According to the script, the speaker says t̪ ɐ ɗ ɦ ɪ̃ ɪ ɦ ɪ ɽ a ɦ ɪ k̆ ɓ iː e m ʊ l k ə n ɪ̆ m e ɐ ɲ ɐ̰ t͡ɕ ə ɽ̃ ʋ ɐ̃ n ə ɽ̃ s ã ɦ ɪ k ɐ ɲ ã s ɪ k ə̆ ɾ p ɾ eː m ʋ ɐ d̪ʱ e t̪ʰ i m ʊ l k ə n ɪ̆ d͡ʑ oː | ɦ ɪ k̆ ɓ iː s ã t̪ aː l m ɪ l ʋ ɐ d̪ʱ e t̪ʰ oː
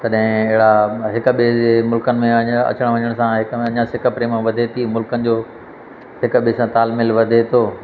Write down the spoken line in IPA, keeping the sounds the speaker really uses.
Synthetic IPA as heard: t̪ ɐ ɗ ɦ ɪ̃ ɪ ɦ ɪ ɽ a ɦ ɪ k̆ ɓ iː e m ʊ l k ə n ɪ̆ m ẽ ɐ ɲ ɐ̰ t͡ɕ ə ɽ̃ ʋ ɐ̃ ɲ ə ɽ̃ s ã ɦ ɪ k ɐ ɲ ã s ɪ k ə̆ p ɾ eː m ʋ ɐ d̪ʱ e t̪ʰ i m ʊ l k ə n ɪ̆ d͡ʑ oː | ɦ ɪ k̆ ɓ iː s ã t̪ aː l m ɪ l ʋ ɐ d̪ʱ e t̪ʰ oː